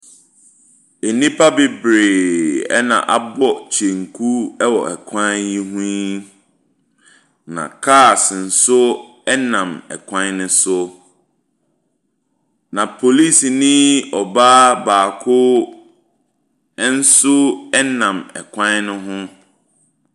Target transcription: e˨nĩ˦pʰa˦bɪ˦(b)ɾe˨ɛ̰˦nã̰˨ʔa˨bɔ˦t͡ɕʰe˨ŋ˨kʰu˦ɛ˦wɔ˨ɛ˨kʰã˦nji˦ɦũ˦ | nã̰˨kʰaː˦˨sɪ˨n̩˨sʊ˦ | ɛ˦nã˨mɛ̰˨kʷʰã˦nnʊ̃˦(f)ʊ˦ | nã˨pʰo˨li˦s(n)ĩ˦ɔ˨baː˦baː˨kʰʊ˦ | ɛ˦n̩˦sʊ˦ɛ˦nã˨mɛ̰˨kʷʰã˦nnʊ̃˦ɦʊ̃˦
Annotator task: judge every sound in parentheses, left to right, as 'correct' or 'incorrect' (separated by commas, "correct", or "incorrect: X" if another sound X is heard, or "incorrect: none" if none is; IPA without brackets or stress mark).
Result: correct, incorrect: s, correct